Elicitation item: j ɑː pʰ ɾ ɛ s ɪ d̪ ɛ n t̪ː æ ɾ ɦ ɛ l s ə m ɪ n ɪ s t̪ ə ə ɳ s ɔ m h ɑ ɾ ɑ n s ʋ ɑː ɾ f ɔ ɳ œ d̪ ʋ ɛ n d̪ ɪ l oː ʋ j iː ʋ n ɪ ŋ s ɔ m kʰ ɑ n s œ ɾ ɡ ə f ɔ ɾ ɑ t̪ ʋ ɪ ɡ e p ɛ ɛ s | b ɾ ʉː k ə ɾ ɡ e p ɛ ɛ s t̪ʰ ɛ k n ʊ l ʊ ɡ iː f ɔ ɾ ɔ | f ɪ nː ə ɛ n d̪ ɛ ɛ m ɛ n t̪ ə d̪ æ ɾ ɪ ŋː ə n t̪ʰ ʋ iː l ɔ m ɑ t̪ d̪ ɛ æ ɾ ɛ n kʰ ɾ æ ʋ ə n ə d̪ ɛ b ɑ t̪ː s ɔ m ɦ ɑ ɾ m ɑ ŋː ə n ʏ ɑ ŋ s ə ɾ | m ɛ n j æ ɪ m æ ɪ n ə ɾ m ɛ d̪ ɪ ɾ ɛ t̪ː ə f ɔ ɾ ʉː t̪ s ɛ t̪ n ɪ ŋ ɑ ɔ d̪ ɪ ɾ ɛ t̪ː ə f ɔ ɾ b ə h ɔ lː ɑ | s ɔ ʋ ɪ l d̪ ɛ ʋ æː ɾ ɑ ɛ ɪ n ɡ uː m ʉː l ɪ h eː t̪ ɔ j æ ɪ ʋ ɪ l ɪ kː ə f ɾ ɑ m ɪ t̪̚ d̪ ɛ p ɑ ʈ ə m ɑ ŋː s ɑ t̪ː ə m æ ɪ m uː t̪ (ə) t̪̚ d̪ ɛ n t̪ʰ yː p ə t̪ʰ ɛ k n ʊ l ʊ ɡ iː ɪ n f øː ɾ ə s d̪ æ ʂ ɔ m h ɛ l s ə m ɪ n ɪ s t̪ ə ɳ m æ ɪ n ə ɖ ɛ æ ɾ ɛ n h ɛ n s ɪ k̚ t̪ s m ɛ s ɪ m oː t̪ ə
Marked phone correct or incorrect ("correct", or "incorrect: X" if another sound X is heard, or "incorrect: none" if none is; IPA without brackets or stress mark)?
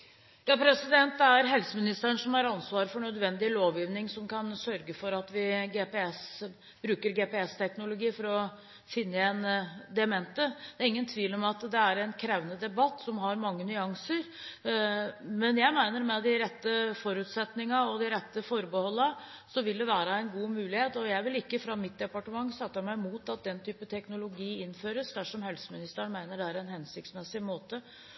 incorrect: ɑ